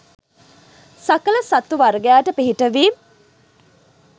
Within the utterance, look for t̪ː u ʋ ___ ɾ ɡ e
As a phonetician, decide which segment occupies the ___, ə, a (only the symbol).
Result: a